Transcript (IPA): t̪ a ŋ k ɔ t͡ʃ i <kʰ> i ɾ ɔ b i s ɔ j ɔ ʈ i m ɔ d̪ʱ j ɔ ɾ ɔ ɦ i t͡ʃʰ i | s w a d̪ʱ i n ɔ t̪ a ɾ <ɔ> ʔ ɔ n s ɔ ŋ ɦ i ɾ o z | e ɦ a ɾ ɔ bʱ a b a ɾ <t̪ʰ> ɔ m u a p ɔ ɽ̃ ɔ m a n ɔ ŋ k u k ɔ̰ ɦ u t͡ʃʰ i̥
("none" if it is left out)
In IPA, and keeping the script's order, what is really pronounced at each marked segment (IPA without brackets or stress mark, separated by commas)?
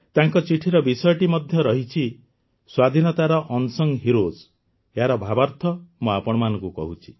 ʈʰ, ɔ, t̪ʰ